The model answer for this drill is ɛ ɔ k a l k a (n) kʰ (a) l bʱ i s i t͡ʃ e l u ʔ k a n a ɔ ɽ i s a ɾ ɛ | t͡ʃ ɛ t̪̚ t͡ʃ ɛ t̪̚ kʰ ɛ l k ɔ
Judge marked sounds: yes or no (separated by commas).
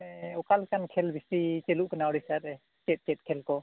yes, no